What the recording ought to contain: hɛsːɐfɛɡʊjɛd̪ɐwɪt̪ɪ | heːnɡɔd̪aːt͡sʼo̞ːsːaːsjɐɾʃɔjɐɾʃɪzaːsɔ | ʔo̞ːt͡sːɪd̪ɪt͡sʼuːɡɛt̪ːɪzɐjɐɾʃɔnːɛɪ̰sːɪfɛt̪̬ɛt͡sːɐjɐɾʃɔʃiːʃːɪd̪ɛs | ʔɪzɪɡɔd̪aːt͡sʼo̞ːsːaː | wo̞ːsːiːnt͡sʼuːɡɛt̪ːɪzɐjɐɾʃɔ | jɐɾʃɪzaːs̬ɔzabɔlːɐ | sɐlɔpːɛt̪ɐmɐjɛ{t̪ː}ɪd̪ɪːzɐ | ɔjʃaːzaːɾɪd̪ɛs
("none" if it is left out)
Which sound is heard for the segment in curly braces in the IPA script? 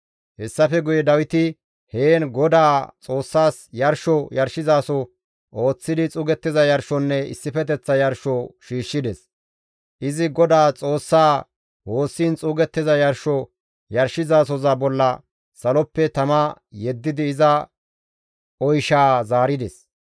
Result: d̪ː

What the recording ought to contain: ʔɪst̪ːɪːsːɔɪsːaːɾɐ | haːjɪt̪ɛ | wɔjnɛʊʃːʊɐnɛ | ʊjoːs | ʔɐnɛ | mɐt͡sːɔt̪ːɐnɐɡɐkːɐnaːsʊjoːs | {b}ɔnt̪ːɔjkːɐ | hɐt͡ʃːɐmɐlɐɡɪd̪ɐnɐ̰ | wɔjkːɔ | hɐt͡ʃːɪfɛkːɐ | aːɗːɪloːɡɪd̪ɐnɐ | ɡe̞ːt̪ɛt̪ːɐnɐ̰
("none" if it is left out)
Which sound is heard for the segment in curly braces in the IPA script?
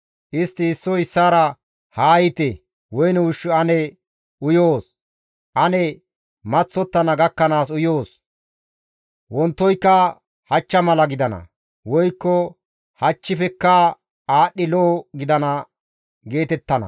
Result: w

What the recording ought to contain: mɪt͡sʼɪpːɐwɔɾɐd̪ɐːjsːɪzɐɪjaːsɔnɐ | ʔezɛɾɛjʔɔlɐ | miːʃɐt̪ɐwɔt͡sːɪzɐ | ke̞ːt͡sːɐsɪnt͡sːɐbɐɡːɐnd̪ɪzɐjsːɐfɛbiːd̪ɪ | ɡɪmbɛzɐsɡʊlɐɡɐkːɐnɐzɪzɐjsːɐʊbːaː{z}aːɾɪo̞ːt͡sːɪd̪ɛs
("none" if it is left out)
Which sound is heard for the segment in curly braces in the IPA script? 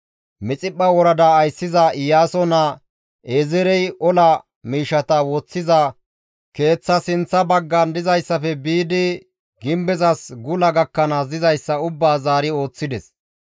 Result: z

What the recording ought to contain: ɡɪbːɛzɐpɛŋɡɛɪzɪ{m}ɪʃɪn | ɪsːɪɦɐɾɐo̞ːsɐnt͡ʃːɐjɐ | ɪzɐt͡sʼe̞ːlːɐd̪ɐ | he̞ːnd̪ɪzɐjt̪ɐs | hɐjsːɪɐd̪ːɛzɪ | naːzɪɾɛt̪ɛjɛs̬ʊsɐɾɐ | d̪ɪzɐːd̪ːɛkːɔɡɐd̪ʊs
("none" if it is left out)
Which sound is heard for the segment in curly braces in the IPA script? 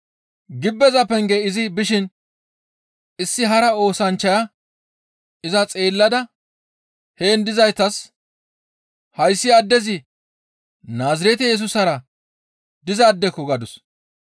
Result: b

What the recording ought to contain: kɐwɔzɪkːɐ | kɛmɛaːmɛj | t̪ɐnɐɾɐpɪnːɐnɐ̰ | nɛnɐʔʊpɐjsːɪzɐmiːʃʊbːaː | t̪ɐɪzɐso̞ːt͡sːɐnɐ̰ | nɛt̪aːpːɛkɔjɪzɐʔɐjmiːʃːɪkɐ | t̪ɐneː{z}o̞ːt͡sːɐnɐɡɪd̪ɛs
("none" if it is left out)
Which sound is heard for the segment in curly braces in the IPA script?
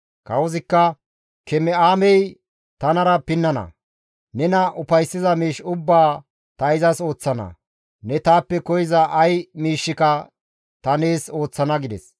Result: s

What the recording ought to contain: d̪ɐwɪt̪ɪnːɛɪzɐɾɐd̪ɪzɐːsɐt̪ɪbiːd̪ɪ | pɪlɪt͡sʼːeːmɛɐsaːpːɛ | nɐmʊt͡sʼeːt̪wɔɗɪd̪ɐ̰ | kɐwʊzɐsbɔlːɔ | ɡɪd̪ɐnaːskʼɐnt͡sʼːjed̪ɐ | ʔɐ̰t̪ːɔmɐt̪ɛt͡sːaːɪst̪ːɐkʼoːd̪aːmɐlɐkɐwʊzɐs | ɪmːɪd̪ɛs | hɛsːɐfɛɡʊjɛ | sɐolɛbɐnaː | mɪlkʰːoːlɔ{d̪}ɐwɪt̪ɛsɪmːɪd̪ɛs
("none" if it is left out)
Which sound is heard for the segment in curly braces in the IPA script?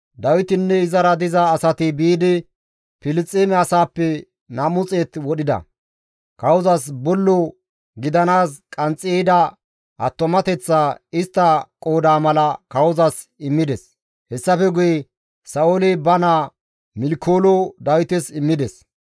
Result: d̪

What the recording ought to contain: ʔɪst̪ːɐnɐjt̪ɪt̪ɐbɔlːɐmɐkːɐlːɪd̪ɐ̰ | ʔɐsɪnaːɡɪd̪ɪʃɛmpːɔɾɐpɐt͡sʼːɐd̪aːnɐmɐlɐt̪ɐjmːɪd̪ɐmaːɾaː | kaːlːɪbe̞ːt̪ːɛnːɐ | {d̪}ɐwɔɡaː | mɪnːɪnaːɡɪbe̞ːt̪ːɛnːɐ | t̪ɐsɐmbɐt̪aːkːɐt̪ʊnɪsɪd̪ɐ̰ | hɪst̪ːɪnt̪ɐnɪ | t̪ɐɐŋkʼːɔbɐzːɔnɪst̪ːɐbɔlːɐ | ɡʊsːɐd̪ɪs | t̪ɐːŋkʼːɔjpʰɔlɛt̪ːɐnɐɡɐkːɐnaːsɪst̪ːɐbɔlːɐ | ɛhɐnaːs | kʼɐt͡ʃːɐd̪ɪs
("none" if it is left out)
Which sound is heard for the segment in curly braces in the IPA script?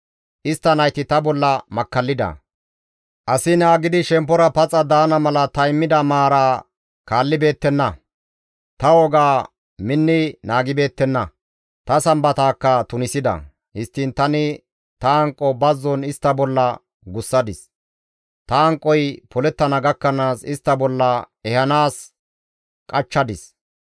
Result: t̪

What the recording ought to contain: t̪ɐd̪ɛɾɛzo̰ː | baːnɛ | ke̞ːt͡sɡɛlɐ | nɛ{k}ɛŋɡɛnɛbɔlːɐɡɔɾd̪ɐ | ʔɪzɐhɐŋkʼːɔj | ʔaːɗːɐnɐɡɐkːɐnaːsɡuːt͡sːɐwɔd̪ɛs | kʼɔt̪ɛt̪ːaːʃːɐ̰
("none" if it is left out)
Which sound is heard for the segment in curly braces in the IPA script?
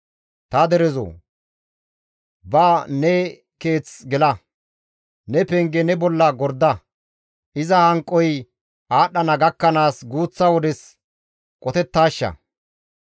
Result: p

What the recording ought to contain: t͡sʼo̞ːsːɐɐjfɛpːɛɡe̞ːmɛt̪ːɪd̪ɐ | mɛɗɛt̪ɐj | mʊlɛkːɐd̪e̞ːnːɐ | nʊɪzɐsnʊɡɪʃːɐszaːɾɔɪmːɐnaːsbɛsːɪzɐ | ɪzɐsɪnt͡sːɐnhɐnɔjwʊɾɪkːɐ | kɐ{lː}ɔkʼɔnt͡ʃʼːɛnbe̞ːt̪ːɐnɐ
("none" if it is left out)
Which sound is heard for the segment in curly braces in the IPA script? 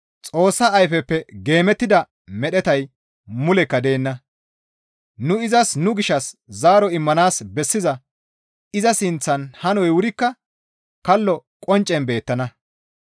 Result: lː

